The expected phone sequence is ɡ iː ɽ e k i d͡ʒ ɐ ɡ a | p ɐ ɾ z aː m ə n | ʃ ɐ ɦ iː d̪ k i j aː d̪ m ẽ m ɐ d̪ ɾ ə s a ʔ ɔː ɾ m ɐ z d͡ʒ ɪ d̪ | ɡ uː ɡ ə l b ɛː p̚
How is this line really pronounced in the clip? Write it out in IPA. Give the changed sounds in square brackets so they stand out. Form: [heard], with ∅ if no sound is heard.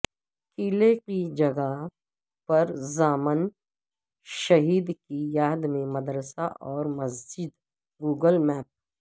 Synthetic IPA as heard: [k] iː [l] e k i d͡ʒ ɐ ɡ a | p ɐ ɾ z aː m ə n | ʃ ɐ ɦ iː d̪ k i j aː d̪ m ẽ m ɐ d̪ ɾ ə s a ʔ ɔː ɾ m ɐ z d͡ʒ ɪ d̪ | ɡ uː ɡ ə l [m] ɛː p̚